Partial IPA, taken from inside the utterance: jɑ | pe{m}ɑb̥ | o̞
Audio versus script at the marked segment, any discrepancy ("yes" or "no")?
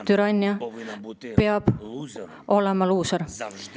yes